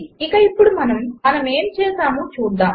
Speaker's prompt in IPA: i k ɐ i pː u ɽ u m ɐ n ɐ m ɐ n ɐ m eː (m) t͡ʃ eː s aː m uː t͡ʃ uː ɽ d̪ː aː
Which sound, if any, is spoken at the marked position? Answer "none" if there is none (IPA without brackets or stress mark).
m